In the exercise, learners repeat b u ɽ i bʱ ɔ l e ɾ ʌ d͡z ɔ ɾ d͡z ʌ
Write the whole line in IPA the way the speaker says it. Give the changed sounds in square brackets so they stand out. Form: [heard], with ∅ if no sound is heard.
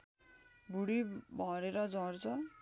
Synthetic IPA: b u ɽ i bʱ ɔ [ɾ] e ɾ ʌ d͡z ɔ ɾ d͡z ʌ